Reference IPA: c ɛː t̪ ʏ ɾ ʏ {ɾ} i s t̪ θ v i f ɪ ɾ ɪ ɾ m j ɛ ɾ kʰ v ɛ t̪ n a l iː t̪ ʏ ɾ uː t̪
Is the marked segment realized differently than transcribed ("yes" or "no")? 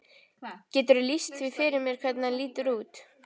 yes